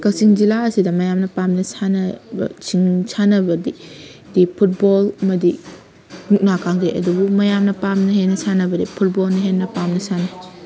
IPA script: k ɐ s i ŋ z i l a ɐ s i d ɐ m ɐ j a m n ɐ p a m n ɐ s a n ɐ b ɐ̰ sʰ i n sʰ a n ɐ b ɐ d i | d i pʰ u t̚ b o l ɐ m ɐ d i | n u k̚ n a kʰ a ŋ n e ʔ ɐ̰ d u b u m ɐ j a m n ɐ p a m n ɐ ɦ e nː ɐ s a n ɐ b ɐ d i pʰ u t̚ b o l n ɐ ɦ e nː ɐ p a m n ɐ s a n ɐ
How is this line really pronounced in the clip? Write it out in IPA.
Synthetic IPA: k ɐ s i ŋ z i l a ɐ s i d ɐ m ɐ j a m n ɐ p a m n ɐ s a n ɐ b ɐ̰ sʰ i ŋ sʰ a n ɐ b ɐ d i | d i pʰ u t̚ b o l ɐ m ɐ d i | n u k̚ n a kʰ a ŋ d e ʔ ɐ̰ d u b u m ɐ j a m n ɐ p a m n ɐ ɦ e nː ɐ s a n ɐ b ɐ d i pʰ u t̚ b o l n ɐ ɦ e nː ɐ p a m n ɐ s a n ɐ